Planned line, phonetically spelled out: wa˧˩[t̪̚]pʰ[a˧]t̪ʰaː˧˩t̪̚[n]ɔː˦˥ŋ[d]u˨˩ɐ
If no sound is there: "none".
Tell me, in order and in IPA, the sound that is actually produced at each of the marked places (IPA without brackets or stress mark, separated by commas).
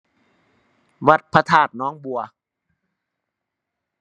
t̪̚, a˧, n, b